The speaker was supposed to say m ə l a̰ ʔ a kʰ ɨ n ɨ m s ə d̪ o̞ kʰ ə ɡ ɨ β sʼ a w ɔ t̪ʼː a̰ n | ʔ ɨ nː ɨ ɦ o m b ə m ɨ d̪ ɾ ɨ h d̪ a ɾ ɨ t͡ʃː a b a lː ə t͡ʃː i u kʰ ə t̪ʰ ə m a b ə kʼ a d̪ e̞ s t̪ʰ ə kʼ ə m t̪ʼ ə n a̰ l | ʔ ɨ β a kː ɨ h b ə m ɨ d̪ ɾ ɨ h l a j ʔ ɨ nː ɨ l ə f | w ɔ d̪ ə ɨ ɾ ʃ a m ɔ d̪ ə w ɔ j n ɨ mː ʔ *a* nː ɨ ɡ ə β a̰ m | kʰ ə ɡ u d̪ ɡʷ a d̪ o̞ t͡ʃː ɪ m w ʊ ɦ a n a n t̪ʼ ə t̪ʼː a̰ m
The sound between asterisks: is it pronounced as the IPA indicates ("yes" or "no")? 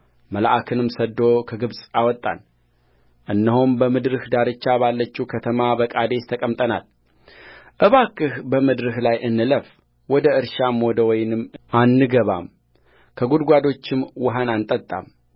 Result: yes